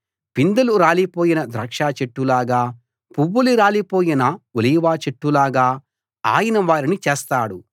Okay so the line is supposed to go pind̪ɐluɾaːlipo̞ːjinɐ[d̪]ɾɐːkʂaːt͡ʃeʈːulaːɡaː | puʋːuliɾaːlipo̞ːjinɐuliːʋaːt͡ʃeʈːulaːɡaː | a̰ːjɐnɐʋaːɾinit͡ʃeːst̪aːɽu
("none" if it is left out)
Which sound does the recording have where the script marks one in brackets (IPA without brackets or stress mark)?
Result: d̪